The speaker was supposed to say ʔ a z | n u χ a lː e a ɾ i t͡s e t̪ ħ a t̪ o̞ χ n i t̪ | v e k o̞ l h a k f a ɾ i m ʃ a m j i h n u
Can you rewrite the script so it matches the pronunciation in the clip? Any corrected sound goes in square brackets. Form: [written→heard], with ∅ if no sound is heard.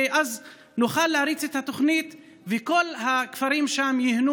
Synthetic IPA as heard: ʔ a z | n u χ a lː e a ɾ i t͡s e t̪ [ħ→h] a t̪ o̞ χ n i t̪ | v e k o̞ l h a k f a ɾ i m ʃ a m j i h n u

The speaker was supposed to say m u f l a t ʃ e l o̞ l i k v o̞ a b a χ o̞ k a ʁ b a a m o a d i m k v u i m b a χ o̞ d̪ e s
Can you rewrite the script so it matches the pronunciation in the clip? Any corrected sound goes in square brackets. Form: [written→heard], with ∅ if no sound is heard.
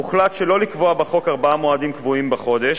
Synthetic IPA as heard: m u [f→χ] l a t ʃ e l o̞ l i k v o̞ a b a χ o̞ k a ʁ b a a m o a d i m k v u i m b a χ o̞ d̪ e [s→ʃ]

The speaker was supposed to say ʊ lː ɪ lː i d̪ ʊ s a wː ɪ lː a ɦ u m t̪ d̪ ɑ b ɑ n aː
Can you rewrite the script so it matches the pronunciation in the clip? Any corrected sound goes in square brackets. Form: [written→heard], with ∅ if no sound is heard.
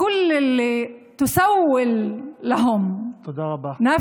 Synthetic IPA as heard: ʊ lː ɪ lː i [d̪→t̪] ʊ s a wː ɪ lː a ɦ [u→ʊ] m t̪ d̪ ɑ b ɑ n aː

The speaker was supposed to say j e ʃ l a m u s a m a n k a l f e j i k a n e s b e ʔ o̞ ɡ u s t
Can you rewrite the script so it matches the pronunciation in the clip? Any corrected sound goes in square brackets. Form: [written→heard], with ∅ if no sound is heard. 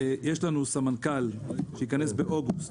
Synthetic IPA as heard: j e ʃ l a [m→n] u s a m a n k a l [f→ʃ] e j i k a n e s b e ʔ o̞ ɡ u s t

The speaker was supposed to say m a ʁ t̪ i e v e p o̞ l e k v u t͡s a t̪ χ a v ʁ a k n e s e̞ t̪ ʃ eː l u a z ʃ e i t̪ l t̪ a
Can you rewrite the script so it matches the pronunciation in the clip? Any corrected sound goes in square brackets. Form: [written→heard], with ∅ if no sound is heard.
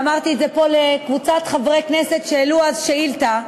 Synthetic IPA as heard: m a ʁ t̪ i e [v→z] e p o̞ l e k v u t͡s a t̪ χ a v ʁ [a→e] k n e s e̞ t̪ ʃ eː l u a z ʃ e i [t̪→∅] l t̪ a

